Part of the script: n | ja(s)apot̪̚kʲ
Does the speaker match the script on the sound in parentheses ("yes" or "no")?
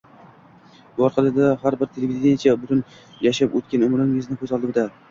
no